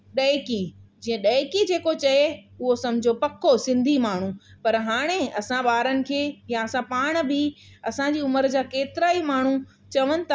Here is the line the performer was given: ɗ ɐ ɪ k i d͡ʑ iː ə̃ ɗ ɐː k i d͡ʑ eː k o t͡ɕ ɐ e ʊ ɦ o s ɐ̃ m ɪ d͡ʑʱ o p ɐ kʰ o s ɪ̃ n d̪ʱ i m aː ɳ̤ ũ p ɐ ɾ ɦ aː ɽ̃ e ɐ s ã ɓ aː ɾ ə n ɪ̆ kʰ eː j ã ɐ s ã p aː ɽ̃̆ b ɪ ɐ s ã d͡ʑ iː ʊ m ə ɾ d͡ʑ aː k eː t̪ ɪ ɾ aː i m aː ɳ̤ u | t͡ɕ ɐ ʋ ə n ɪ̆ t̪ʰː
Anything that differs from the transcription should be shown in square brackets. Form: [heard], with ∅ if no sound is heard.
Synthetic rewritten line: ɗ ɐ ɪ k i d͡ʑ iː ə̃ ɗ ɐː k i d͡ʑ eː k o t͡ɕ ɐ e ʊ ɦ o s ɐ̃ m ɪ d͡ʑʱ o p ɐ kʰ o s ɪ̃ n d̪ʱ i m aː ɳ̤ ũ p ɐ ɾ ɦ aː ɽ̃ e ɐ s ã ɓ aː ɾ ə n ɪ̆ kʰ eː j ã ɐ s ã p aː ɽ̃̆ b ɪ ɐ s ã d͡ʑ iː ʊ m ə ɾ d͡ʑ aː k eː t̪ ɪ ɾ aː i m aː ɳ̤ u | t͡ɕ ɐ ʋ ə n ɪ̆ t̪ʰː